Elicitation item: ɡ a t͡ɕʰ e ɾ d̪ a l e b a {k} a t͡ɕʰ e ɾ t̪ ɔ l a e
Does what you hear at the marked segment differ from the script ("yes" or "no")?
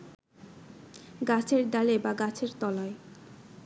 yes